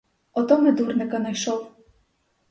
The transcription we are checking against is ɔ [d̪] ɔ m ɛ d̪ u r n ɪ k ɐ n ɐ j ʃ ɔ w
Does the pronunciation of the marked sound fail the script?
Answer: yes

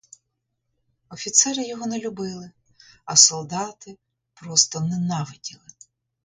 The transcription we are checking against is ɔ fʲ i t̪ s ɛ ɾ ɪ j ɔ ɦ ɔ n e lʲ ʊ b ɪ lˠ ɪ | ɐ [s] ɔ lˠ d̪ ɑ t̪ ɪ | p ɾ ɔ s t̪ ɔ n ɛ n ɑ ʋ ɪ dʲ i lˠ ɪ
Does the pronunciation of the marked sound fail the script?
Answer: no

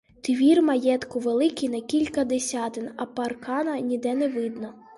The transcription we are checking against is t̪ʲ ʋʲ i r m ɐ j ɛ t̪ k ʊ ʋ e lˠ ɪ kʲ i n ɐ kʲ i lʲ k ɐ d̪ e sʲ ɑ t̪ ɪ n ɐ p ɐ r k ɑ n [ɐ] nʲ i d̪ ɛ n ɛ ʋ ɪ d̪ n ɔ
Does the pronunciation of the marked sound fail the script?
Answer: no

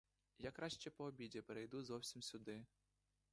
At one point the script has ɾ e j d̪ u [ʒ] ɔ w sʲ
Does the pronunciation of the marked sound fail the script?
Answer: yes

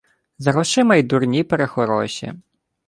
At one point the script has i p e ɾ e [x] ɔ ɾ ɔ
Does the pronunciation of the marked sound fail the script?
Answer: no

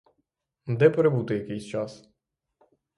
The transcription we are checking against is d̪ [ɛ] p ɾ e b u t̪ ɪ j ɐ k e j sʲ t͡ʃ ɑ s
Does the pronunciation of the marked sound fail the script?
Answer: no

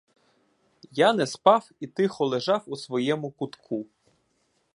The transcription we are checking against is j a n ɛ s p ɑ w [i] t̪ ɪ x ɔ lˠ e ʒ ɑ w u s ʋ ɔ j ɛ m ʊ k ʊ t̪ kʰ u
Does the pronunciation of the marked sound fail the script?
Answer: no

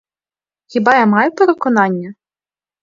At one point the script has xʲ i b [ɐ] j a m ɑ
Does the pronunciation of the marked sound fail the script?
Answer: yes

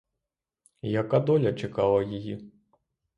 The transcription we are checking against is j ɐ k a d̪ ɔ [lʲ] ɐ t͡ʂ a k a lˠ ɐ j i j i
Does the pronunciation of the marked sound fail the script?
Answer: no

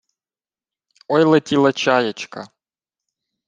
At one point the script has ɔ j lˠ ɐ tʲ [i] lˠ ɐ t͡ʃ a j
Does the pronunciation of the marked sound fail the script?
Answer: no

